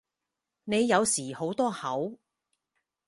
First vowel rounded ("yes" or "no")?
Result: no